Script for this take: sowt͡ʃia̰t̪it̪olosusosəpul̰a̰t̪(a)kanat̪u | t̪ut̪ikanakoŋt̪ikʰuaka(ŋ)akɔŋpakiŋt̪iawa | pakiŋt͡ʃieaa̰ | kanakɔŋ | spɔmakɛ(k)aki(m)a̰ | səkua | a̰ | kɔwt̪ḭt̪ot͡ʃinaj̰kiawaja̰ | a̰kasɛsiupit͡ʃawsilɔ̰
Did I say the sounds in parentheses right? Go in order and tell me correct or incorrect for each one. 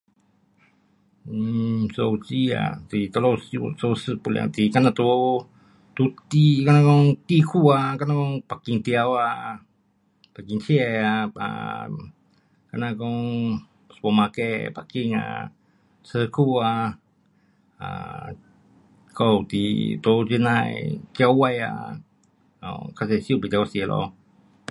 incorrect: i, incorrect: n, incorrect: p, incorrect: ŋ

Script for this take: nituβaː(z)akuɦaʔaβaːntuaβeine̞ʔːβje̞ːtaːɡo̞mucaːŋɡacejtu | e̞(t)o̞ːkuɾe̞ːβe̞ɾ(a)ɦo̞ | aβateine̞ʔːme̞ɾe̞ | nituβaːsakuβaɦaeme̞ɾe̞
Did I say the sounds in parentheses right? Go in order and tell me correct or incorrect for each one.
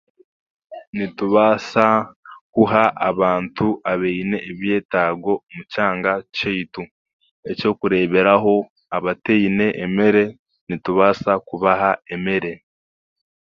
incorrect: s, incorrect: c, correct

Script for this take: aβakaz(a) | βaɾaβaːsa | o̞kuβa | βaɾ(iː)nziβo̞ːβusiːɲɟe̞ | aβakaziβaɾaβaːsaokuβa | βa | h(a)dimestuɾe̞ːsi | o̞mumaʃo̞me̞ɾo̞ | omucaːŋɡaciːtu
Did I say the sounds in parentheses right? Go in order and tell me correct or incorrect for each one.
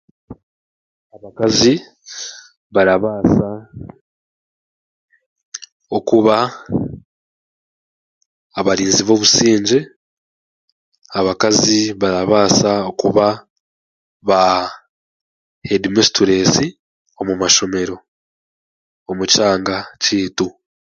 incorrect: i, correct, incorrect: e

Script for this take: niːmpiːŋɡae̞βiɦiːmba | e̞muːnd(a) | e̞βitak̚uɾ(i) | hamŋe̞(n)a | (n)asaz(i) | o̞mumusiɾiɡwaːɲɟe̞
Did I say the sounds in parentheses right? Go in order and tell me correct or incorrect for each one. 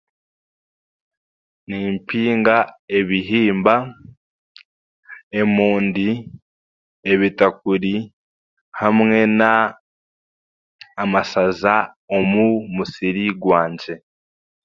incorrect: i, correct, correct, incorrect: m, incorrect: a

